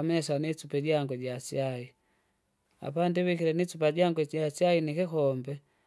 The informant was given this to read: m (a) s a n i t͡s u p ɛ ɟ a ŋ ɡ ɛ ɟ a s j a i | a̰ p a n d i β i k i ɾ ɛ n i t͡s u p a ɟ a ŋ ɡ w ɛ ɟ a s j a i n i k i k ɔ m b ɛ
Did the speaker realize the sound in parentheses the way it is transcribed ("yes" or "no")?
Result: no